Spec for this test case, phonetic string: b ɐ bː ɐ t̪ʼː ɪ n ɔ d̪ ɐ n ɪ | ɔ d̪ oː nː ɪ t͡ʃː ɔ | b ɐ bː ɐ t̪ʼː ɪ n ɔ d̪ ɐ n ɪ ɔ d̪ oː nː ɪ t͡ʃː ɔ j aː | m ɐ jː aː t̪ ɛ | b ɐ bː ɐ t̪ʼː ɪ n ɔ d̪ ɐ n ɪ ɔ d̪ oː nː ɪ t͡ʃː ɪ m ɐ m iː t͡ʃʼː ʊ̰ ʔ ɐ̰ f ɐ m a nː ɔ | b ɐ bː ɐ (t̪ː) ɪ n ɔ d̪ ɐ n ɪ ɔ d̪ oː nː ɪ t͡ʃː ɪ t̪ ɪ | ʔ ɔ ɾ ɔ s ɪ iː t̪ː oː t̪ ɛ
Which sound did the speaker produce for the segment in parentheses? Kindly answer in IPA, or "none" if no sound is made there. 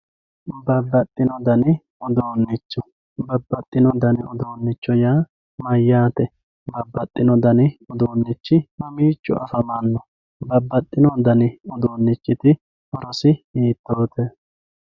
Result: t̪ʼː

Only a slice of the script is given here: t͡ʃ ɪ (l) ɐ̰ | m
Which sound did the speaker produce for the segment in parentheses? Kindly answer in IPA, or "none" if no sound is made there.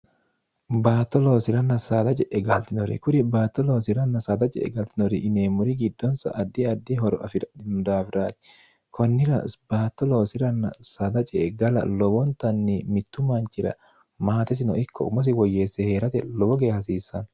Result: ɾ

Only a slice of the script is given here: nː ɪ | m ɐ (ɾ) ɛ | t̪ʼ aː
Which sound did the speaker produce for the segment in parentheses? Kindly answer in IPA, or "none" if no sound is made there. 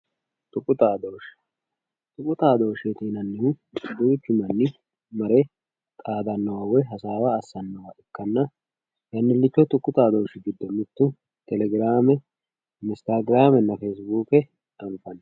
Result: ɾ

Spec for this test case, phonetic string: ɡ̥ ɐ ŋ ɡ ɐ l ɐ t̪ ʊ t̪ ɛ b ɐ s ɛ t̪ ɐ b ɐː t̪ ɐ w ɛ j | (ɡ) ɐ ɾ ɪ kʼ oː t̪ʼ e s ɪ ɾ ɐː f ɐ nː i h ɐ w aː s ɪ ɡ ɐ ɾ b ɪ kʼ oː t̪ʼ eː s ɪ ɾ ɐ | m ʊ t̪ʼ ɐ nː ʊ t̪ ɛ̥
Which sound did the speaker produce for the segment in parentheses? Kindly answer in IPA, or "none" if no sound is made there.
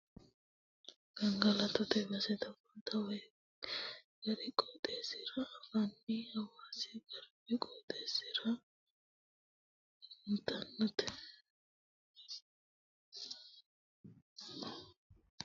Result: ɡ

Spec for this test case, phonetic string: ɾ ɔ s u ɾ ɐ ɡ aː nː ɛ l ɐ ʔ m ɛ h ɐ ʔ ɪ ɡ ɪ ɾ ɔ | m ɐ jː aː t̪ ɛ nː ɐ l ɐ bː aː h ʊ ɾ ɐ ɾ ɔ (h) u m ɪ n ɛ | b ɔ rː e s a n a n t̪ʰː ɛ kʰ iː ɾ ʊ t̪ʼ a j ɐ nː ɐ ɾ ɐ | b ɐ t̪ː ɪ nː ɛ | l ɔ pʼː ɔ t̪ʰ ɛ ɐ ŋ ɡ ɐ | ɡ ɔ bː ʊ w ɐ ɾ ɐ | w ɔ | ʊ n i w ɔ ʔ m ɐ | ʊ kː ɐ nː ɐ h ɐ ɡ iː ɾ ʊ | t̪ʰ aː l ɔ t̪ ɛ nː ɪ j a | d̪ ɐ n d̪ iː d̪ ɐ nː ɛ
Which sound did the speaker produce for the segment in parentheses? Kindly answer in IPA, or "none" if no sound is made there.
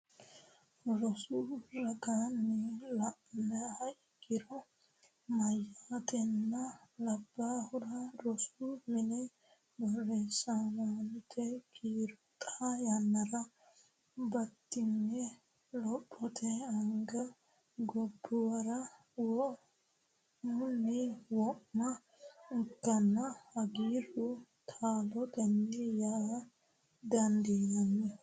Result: s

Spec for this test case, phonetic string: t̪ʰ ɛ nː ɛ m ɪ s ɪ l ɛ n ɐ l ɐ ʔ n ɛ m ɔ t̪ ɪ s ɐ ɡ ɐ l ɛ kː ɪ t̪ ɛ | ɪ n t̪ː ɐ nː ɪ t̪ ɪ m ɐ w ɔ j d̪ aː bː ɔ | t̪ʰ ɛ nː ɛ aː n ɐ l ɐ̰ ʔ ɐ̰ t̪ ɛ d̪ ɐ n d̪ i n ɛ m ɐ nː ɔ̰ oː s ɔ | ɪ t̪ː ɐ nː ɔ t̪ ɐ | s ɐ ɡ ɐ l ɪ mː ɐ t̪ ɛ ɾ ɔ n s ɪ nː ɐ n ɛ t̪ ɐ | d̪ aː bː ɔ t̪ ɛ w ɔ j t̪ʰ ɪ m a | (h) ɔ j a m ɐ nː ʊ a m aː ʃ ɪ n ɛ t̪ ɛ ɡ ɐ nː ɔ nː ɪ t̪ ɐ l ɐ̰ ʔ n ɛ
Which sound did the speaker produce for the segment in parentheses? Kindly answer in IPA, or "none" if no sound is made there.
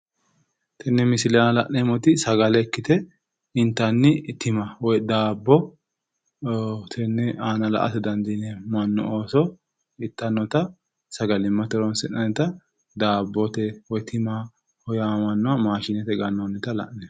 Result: h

